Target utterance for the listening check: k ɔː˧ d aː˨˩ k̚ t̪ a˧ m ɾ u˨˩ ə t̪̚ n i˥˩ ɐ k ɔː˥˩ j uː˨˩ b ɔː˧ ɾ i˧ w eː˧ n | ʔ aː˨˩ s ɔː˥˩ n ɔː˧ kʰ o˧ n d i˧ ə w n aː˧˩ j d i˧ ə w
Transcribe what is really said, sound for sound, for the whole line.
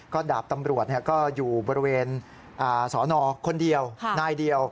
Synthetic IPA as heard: k ɔː˥˩ d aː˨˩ p̚ t̪ a˧ m ɾ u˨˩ ə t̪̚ n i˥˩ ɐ k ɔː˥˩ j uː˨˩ b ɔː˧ ɾ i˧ w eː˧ n | ʔ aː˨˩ s ɔː˩˦ n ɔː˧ kʰ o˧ n d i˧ ə w n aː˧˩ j d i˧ ə w